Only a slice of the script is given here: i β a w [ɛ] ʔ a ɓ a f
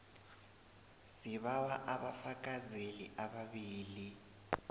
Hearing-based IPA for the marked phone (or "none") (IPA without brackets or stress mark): a